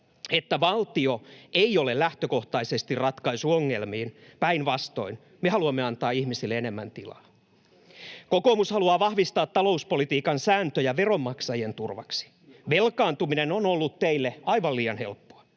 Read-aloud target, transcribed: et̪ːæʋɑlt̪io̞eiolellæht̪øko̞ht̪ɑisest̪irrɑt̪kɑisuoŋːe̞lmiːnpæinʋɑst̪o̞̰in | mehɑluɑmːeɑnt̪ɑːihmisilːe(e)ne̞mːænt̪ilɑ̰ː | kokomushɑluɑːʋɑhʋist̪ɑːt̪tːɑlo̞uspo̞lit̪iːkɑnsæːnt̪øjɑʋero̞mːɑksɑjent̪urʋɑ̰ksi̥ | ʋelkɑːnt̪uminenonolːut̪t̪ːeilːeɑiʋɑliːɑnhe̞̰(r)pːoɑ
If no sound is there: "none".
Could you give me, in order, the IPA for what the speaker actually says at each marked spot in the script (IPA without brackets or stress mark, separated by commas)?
e, l